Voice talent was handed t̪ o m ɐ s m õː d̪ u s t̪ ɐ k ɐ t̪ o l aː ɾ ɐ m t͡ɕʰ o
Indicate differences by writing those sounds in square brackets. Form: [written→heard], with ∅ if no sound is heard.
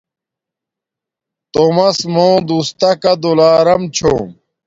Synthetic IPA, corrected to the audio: t̪ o m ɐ s m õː d̪ u s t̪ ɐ k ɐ [t̪→d̪] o l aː ɾ ɐ m t͡ɕʰ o